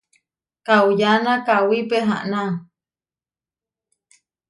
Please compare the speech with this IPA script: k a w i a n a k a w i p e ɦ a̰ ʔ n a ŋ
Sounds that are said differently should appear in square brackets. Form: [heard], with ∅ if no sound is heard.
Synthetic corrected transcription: k a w [j] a n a k a w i p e ɦ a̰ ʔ n a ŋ